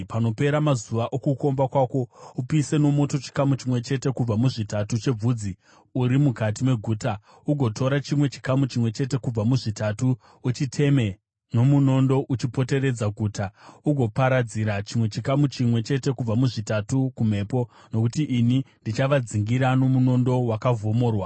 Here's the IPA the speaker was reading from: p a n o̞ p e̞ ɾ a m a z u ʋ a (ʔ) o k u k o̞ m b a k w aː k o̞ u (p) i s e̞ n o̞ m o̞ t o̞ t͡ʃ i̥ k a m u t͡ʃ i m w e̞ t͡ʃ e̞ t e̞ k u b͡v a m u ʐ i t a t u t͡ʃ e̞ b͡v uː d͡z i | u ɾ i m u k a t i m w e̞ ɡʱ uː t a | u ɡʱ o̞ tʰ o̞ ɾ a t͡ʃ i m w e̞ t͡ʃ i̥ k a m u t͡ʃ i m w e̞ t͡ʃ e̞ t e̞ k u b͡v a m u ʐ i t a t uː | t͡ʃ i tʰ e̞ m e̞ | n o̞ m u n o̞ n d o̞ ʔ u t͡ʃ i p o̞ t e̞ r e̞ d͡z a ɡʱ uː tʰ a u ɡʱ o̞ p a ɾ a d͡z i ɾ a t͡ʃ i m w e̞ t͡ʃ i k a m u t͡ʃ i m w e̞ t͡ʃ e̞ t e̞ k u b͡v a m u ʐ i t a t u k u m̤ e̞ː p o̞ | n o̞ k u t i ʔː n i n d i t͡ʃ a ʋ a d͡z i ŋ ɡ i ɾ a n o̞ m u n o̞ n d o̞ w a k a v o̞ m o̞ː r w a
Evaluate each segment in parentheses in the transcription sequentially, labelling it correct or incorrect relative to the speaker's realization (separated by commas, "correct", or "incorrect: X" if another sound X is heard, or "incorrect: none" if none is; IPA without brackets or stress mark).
correct, correct